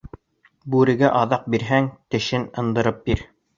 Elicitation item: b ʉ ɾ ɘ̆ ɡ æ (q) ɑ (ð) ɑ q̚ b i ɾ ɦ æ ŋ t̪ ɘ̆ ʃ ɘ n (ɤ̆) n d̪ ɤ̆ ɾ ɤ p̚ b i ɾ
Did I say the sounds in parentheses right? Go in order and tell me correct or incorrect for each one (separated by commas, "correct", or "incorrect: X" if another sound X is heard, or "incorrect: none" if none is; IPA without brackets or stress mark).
incorrect: ʔ, correct, correct